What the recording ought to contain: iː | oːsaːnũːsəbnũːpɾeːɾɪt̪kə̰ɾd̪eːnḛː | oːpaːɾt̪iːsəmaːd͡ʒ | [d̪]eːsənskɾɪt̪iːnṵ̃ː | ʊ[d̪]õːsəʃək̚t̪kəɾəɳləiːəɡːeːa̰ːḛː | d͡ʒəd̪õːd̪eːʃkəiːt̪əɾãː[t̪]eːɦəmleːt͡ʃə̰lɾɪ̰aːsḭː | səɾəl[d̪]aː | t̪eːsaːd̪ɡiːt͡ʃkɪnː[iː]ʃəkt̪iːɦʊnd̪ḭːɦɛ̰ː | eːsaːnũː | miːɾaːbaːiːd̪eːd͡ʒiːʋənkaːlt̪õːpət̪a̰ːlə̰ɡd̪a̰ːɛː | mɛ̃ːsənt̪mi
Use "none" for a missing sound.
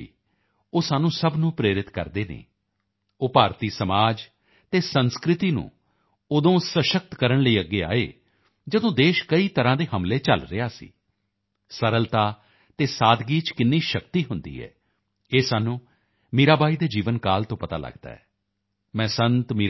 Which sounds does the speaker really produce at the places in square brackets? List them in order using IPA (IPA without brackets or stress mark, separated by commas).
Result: t̪, d̪, d̪, t̪, iː